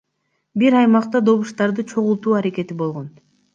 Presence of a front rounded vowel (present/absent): absent